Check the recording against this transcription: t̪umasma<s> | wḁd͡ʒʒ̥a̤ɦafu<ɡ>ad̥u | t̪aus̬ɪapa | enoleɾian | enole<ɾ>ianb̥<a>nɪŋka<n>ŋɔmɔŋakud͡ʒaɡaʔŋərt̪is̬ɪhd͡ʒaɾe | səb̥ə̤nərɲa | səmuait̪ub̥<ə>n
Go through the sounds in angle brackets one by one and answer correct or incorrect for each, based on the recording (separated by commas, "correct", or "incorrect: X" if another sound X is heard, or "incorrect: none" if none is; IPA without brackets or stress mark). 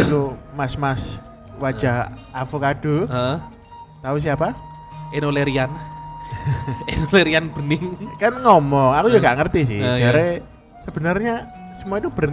correct, incorrect: k, correct, incorrect: ə, correct, correct